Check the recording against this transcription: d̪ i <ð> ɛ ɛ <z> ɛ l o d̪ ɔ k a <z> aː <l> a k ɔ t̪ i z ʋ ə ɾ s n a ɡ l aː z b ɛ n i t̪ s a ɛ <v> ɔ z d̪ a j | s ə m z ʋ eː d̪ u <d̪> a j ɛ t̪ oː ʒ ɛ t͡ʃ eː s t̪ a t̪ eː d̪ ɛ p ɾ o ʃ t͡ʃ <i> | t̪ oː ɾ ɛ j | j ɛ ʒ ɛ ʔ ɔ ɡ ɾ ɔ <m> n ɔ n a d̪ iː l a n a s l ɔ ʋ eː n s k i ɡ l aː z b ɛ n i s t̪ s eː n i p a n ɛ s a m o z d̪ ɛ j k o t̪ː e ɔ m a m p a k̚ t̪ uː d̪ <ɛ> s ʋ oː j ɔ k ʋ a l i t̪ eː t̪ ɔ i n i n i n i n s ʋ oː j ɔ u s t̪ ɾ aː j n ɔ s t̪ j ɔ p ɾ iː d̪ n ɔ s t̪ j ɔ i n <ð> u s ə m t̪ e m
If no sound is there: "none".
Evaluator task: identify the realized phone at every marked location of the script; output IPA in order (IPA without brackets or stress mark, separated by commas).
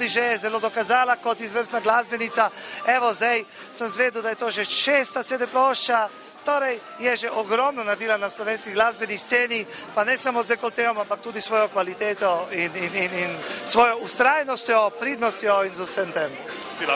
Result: ʒ, z, z, l, ʋ, d̪, a, m, i, z